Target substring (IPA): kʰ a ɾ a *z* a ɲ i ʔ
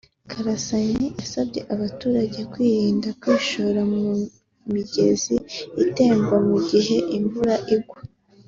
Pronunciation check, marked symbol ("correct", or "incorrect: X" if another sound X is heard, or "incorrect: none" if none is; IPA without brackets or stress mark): incorrect: s